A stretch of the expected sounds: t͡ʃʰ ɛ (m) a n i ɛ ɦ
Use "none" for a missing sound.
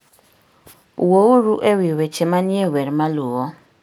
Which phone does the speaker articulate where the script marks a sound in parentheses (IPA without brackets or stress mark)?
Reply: m